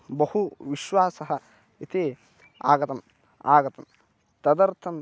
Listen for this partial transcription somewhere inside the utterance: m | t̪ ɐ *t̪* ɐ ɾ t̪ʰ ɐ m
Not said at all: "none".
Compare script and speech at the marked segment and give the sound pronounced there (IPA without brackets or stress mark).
d̪